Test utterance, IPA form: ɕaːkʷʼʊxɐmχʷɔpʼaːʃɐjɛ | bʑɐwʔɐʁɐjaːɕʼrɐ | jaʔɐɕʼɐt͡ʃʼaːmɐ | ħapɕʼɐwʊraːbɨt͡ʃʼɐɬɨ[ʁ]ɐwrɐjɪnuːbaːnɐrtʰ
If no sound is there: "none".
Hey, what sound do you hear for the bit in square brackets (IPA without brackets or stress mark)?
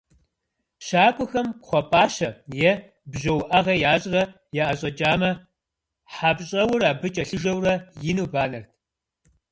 ʒ